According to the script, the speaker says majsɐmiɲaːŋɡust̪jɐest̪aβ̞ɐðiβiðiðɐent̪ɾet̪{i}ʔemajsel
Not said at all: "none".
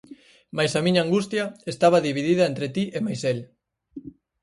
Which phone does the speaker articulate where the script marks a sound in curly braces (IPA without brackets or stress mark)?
i